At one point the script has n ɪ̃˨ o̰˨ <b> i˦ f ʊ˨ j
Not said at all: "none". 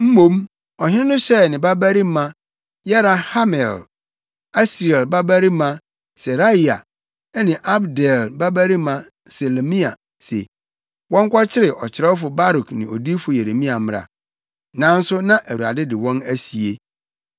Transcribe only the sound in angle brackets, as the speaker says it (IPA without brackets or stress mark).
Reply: d